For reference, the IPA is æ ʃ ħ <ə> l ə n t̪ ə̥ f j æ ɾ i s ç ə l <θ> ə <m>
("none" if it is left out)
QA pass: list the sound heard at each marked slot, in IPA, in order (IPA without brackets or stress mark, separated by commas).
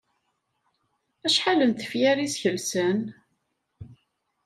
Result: a, s, n